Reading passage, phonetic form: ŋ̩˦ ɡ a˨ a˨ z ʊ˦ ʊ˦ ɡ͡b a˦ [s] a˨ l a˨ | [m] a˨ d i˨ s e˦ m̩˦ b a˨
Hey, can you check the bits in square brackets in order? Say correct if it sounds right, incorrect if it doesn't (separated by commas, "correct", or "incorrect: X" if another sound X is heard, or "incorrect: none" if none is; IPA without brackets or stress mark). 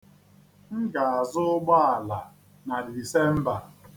incorrect: none, incorrect: n